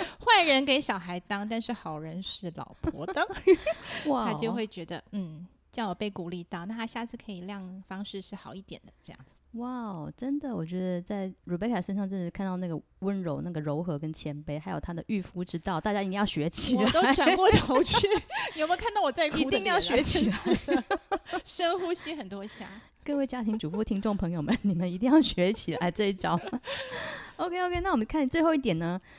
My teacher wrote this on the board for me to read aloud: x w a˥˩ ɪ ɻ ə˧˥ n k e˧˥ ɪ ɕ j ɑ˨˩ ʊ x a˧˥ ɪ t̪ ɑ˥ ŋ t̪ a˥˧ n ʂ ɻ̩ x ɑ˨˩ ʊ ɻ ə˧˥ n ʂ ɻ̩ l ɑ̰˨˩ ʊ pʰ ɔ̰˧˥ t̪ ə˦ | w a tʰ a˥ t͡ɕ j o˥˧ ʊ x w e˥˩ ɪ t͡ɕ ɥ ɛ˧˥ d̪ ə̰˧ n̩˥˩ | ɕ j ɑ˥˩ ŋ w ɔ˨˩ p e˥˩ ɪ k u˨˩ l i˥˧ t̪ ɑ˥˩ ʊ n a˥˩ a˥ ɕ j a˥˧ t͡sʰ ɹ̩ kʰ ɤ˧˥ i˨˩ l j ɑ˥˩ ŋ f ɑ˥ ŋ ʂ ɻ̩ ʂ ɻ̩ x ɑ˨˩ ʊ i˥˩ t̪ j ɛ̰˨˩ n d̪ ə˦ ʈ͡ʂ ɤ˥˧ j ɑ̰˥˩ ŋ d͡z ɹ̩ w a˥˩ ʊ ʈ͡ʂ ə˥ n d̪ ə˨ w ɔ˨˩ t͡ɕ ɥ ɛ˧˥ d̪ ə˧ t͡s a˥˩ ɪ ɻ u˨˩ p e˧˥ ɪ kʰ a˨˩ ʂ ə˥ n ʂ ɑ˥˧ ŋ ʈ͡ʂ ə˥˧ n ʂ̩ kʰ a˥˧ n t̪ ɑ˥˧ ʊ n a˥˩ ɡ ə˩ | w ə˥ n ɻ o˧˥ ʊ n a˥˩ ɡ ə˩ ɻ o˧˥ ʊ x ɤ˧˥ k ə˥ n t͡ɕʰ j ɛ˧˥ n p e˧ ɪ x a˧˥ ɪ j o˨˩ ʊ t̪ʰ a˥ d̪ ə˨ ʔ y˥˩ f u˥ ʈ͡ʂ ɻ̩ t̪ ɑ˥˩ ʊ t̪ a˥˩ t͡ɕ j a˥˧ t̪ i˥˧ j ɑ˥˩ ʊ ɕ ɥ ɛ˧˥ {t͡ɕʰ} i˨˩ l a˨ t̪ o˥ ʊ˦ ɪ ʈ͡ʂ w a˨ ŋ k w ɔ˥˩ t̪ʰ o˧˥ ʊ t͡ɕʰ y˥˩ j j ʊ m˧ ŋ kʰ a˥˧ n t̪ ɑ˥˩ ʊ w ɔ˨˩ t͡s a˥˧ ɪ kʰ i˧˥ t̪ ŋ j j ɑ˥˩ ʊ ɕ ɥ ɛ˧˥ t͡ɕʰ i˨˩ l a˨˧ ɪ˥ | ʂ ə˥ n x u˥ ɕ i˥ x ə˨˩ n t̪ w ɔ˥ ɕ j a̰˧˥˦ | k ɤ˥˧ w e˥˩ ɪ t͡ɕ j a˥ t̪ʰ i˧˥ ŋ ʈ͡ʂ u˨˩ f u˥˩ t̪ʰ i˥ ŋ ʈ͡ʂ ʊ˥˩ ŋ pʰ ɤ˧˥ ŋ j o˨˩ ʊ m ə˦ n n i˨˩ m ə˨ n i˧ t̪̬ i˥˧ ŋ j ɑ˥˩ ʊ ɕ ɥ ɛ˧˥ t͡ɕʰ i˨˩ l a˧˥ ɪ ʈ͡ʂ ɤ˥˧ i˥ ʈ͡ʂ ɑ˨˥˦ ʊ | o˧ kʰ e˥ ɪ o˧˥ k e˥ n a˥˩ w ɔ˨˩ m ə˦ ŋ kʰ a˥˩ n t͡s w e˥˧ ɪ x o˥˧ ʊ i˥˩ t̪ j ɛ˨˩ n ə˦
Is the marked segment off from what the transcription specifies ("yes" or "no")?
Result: no